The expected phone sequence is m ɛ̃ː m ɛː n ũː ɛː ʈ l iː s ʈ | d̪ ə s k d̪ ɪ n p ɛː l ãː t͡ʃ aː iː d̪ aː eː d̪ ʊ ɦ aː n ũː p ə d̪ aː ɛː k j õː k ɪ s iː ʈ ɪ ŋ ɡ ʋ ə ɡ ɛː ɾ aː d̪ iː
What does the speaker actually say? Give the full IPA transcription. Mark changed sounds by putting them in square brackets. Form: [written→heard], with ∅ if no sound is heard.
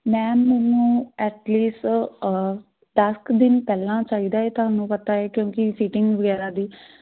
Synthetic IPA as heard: m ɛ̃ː m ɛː n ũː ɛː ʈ l iː s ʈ | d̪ ə s k d̪ ɪ n p ɛː l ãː t͡ʃ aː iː d̪ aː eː [d̪→t̪] ʊ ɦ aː n ũː p ə [d̪→t̪] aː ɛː k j õː k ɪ s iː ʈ ɪ ŋ ɡ ʋ ə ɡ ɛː ɾ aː d̪ iː